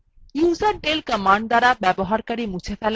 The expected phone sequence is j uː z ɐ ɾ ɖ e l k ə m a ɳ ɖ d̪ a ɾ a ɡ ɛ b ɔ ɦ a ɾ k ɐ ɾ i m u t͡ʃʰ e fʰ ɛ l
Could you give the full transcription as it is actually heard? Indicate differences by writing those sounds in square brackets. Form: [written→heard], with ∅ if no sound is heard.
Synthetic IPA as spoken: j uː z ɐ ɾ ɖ e l k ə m a ɳ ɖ d̪ a ɾ a [ɡ→b] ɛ b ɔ ɦ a ɾ k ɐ ɾ i m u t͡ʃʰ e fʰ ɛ l